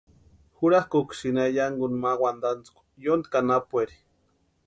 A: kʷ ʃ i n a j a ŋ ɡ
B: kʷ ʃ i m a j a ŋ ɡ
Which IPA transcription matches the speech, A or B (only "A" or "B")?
A